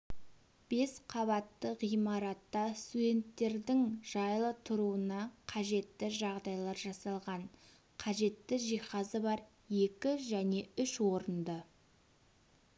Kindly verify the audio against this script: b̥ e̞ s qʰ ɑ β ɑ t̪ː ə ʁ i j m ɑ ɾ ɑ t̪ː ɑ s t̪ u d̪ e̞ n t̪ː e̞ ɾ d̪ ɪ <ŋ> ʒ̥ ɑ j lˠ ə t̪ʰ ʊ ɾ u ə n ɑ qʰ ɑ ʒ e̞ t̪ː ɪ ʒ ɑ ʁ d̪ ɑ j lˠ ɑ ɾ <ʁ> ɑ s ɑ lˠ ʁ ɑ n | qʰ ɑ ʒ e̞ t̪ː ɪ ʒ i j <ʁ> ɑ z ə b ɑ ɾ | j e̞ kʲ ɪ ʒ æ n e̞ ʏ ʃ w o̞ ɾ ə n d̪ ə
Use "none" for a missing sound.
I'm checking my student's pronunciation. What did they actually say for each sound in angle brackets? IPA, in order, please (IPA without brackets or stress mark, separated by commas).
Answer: ŋ, ʒ, χ